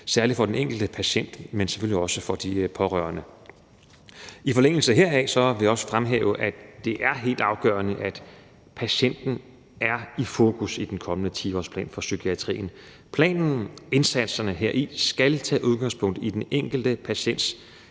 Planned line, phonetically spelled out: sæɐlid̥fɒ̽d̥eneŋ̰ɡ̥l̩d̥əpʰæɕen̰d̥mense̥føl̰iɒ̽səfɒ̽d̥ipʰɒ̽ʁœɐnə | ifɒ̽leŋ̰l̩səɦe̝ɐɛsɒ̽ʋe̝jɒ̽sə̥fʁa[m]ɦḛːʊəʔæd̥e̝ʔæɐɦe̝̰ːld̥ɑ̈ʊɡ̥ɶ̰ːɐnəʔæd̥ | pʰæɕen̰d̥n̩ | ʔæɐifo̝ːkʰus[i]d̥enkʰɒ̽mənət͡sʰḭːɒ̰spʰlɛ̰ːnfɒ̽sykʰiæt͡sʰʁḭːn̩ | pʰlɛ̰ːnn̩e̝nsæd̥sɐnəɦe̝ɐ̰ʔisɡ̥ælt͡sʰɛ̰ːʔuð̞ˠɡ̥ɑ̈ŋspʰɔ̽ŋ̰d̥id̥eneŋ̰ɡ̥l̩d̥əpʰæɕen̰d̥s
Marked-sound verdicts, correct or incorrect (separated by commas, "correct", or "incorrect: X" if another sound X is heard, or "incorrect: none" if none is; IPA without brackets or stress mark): correct, correct